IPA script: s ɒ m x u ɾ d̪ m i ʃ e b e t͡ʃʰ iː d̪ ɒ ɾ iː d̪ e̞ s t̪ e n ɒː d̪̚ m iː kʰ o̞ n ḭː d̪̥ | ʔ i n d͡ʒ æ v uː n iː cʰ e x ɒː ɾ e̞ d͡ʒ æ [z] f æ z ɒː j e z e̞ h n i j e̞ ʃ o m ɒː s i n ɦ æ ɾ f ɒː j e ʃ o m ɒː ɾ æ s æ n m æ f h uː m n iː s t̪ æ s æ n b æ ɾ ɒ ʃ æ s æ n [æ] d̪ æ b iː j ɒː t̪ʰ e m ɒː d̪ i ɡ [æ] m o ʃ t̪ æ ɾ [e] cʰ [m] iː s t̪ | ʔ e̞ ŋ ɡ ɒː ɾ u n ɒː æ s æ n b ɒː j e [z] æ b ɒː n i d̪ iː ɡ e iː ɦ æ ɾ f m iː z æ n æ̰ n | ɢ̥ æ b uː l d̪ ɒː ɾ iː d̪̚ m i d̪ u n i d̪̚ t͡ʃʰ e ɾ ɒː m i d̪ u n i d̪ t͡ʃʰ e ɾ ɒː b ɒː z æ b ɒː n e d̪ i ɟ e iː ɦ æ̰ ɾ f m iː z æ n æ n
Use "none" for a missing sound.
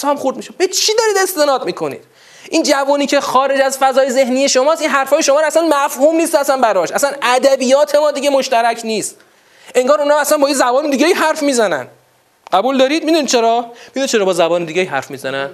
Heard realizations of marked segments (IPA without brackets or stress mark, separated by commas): z, æ, e, æ, n, z